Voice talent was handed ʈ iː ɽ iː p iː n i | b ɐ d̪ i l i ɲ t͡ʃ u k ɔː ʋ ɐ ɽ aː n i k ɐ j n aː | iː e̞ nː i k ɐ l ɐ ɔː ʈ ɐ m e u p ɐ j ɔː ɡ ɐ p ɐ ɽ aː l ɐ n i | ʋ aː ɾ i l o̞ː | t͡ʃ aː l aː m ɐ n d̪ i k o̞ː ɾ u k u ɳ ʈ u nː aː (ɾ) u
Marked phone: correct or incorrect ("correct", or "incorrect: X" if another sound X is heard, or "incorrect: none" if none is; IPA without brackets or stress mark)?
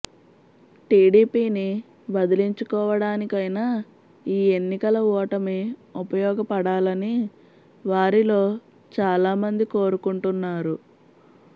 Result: correct